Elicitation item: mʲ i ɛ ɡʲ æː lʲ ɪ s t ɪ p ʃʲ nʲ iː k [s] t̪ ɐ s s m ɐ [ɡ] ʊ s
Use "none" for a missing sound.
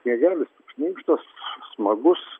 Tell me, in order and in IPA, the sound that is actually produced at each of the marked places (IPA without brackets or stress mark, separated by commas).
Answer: ʃ, ɡ